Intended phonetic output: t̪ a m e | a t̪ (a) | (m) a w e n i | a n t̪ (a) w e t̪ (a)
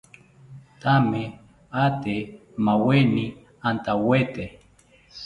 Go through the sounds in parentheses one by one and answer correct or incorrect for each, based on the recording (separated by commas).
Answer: incorrect, correct, correct, incorrect